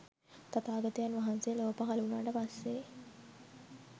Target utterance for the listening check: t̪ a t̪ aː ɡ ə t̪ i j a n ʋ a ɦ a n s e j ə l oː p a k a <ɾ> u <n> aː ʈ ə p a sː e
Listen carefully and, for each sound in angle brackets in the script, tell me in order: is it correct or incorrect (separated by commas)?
incorrect, correct